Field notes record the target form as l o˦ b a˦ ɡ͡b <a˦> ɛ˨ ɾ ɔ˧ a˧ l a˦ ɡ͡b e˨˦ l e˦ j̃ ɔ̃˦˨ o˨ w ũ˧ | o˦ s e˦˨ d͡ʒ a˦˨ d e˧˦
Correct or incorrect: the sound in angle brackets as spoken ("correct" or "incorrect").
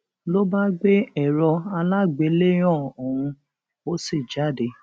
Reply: incorrect